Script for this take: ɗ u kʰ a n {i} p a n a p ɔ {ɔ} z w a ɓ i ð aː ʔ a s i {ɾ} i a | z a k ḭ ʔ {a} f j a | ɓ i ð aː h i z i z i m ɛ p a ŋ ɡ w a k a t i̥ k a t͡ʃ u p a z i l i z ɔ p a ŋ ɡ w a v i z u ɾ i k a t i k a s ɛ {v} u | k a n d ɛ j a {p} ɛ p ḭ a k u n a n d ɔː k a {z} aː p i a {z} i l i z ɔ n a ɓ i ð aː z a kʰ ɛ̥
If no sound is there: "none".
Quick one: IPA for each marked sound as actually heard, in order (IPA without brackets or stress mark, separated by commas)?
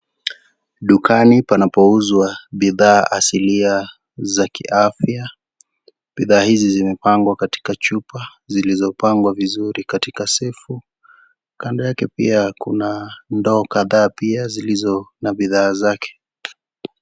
i, u, l, a, f, k, ð, z